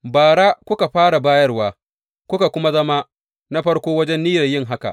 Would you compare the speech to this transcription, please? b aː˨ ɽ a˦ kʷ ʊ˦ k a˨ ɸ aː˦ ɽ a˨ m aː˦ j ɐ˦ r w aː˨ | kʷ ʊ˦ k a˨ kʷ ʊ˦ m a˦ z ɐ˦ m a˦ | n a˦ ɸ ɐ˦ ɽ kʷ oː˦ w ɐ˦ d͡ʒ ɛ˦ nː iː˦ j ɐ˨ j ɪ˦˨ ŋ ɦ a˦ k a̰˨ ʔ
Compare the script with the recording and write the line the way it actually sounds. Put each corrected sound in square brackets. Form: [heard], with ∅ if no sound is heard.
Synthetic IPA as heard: b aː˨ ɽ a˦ kʷ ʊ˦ k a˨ ɸ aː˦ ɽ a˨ [b] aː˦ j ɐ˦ r w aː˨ | kʷ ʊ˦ k a˨ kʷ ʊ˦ m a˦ z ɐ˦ m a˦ | n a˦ ɸ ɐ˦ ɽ kʷ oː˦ w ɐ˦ d͡ʒ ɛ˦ nː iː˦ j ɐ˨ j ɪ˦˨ ŋ ɦ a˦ k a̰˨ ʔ